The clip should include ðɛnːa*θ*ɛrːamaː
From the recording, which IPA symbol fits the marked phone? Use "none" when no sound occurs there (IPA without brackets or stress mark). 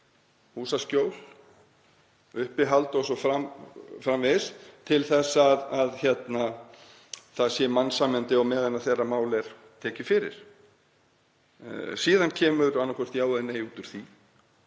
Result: θ